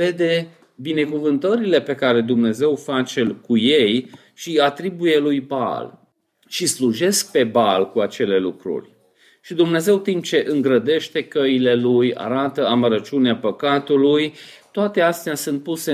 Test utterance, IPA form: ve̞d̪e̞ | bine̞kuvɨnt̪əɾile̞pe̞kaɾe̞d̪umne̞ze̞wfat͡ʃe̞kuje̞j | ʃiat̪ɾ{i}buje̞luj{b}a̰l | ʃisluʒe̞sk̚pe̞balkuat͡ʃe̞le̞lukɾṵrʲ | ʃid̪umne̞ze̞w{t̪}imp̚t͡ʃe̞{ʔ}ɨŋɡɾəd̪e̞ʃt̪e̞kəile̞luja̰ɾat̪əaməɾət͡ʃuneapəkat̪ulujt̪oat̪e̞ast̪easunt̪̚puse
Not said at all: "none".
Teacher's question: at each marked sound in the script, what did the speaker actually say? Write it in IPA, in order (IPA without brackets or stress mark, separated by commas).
i, b, t̪, ʔ